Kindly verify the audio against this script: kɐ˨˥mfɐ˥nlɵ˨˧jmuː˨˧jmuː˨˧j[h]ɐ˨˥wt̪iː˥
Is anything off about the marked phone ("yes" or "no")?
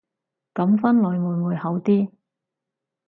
no